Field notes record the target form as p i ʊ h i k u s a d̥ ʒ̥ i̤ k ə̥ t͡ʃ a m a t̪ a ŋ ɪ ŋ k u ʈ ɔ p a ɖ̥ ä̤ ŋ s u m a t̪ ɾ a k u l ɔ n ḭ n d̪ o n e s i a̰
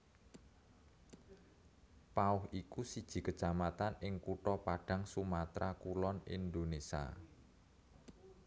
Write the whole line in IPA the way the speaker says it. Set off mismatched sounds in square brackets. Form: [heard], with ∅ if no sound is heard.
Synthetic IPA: p [a] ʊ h i k u s [i] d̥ ʒ̥ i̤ k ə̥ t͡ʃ a m a t̪ a [n] ɪ ŋ k u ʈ ɔ p a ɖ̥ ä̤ ŋ s u m a t̪ ɾ a k u l ɔ n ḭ n d̪ o n e s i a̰

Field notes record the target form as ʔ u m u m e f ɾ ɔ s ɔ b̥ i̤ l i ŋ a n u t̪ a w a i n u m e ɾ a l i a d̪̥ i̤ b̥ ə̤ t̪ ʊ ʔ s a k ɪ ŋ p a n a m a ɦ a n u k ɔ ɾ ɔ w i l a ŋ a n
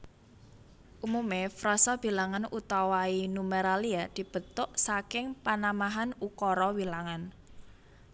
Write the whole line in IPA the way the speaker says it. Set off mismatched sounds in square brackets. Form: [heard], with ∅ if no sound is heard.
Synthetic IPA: ʔ u m u m e f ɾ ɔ s ɔ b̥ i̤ l [a] ŋ a n u t̪ a w a i n u m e ɾ a l i a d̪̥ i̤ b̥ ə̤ t̪ ʊ ʔ s a k ɪ ŋ p a n a m a ɦ a n u k ɔ ɾ ɔ w i l a ŋ a n

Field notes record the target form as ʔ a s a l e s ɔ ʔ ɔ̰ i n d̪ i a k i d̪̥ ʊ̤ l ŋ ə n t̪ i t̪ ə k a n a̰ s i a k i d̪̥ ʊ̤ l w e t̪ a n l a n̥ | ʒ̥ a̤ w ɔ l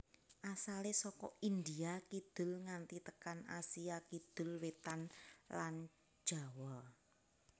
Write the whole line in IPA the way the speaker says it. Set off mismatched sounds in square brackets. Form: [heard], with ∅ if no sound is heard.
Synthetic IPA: ʔ a s a l e s ɔ [k] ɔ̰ i n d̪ i a k i d̪̥ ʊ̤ l ŋ [a] n t̪ i t̪ ə k a n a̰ s i a k i d̪̥ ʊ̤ l w e t̪ a n l a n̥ | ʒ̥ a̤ w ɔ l

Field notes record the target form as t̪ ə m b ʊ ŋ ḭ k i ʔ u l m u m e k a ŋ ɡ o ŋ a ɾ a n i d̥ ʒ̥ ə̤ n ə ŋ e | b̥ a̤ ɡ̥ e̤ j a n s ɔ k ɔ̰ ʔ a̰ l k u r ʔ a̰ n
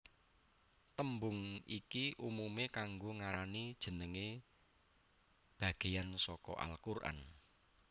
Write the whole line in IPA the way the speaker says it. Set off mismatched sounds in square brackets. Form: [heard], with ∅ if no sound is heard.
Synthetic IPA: t̪ ə m b ʊ ŋ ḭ k i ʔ u [∅] m u m e k a ŋ ɡ o ŋ a ɾ a n i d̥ ʒ̥ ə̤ n ə ŋ e | b̥ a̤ ɡ̥ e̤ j a n s ɔ k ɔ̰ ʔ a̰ l k u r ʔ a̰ n

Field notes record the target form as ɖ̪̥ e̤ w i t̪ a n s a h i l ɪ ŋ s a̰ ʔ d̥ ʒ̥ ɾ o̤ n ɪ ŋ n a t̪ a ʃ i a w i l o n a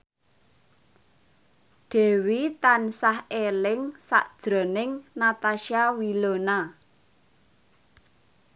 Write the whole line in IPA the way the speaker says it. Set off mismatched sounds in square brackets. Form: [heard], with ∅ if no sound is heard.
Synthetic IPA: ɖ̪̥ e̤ w i t̪ a n s a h [e] l ɪ ŋ s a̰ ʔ d̥ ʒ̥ ɾ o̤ n ɪ ŋ n a t̪ a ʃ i a w i l o n a

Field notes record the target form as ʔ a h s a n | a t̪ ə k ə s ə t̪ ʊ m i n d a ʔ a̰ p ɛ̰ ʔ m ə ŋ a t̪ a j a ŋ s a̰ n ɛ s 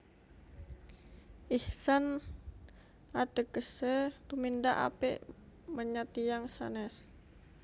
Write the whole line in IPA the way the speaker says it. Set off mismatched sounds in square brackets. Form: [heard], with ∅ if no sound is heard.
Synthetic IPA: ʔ [i] h s a n | a t̪ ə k ə s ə t̪ [u] m i n d a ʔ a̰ p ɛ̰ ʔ m ə [ɲ] a t̪ [i] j a ŋ s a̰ n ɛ s

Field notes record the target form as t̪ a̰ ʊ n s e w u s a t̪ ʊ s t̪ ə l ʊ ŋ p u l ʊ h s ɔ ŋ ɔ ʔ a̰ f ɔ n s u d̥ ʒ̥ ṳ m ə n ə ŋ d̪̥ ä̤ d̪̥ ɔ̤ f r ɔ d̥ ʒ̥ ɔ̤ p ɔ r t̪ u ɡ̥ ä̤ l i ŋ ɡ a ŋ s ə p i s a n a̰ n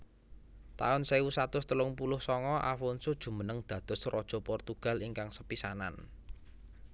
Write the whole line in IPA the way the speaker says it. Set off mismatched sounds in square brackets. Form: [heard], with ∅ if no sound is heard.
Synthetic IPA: t̪ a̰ ʊ n s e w u s a t̪ ʊ s t̪ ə l ʊ ŋ p u l ʊ h s ɔ ŋ ɔ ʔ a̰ f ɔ n s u d̥ ʒ̥ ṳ m ə n ə ŋ d̪̥ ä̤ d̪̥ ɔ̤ [s] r ɔ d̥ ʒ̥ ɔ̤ p ɔ r t̪ u ɡ̥ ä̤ l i ŋ [k] a ŋ s ə p i s a n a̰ n

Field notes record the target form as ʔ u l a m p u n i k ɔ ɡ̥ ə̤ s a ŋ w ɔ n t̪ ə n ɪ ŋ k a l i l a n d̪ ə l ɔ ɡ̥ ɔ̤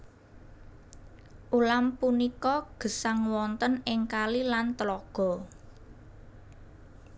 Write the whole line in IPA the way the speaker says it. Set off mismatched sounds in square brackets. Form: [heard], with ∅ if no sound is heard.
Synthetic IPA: ʔ u l a m p u n i k ɔ ɡ̥ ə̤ s a ŋ w ɔ n t̪ ə n ɪ ŋ k a l i l a n [t̪] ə l ɔ ɡ̥ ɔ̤

